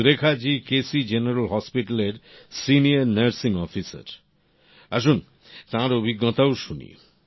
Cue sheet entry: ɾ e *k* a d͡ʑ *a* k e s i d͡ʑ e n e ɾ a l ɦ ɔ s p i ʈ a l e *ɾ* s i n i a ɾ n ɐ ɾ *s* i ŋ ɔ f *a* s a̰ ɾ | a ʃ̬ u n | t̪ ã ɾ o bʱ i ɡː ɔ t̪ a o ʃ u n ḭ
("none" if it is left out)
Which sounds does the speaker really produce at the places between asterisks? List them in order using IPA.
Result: kʰ, i, ɾ, s, i

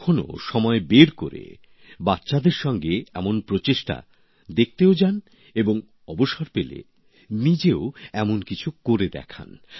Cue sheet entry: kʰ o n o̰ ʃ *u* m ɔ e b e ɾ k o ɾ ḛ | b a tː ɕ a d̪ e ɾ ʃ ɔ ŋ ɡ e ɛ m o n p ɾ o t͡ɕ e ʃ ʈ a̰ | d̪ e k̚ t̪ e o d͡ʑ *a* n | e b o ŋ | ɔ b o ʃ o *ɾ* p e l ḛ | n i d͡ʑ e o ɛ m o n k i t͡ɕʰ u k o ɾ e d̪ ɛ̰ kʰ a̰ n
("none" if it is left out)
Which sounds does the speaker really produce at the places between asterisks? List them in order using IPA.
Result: ɔ, a, ɾ

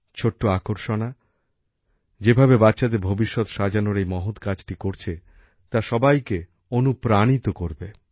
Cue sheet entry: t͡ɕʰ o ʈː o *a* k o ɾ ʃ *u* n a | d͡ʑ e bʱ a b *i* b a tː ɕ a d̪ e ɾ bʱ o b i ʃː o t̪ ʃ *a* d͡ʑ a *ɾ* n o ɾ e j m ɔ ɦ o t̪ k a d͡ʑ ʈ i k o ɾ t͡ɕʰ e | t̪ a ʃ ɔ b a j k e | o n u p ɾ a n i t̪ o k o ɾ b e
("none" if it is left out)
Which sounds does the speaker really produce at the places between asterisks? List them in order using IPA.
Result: a, o, e, a, none

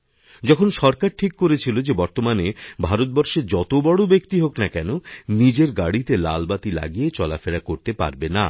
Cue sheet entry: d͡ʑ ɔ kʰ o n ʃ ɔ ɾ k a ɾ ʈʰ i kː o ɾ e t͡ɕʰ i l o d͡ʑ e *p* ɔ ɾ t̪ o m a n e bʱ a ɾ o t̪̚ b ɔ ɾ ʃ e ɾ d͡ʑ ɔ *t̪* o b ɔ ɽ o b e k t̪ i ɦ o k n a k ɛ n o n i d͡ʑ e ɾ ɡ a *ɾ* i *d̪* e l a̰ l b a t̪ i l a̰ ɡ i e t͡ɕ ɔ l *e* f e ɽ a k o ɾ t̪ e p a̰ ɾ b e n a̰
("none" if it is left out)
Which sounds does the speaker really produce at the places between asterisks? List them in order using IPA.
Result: b, t̪, ɽ, t̪, a

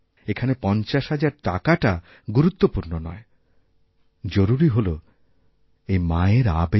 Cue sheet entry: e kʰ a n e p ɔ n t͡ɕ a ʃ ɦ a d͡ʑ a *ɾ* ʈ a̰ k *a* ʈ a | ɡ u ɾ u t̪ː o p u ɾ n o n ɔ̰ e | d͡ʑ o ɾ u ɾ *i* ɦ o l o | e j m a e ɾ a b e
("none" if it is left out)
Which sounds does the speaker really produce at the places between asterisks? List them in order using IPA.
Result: ɾ, a, i

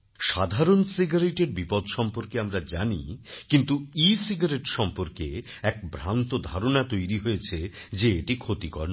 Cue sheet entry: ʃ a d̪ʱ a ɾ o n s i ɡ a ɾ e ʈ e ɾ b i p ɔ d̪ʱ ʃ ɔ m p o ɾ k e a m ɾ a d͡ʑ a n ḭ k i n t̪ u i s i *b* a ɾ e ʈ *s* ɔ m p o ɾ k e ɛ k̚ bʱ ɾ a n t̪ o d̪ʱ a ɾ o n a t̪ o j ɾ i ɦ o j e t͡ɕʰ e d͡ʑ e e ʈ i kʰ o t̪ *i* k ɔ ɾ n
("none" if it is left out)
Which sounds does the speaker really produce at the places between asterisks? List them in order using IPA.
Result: ɡ, ʃ, i

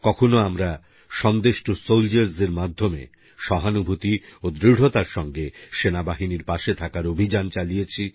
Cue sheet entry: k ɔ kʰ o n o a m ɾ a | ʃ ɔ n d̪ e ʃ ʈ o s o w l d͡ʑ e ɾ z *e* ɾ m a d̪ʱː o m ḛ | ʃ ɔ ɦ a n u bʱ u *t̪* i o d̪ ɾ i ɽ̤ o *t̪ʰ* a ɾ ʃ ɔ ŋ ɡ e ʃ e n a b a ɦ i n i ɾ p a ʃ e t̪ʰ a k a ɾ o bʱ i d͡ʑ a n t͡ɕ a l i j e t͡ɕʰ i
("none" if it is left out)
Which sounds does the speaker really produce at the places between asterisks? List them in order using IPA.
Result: e, t̪, t̪

